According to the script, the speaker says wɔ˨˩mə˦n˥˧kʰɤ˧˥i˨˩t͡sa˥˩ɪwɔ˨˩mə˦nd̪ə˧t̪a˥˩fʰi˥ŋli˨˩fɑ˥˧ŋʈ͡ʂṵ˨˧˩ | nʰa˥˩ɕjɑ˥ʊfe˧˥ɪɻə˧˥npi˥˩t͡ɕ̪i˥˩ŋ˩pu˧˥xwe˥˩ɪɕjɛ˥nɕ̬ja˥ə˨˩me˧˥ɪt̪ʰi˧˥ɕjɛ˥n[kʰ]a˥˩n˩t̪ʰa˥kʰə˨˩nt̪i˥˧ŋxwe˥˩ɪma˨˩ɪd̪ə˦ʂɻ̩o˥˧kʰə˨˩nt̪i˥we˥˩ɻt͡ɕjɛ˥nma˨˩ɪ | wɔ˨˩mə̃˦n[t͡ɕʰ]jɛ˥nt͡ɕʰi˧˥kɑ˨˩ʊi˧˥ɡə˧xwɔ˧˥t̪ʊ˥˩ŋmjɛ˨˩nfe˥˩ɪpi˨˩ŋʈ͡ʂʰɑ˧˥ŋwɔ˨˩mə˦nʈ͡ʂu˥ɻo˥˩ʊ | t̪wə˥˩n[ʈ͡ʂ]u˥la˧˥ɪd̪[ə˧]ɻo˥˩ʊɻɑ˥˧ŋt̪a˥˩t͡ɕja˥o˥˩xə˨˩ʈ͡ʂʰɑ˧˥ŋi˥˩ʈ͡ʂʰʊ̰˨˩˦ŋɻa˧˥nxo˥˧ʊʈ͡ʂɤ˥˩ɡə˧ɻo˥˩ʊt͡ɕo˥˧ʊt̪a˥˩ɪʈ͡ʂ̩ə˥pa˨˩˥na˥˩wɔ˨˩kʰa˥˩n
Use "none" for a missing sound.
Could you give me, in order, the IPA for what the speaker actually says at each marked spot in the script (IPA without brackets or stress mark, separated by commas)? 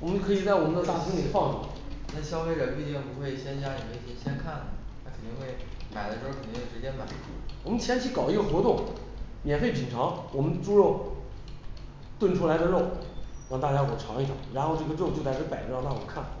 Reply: kʰ, t͡ɕʰ, ʈ͡ʂʰ, ə˧